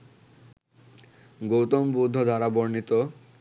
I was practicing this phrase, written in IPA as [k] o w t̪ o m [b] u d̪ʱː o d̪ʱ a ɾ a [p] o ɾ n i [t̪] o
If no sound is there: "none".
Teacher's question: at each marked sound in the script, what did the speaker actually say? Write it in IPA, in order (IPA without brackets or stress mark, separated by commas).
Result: ɡ, b, b, t̪